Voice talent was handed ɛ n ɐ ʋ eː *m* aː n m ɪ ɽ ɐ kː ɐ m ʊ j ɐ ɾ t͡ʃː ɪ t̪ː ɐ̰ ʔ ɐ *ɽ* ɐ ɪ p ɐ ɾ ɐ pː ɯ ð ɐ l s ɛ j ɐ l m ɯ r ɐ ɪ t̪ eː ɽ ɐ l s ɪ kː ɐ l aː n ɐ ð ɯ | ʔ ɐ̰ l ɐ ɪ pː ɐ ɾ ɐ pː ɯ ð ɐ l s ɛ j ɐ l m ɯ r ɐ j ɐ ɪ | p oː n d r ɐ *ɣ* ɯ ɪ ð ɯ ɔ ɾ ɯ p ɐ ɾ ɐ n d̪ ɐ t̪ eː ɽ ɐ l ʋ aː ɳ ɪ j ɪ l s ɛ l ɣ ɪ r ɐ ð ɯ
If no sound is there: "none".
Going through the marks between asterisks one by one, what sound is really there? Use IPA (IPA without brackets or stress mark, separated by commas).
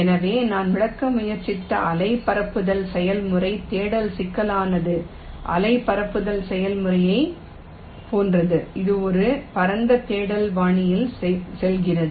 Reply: n, l, ð